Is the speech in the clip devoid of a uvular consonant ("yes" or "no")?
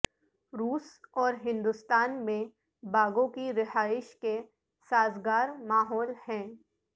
yes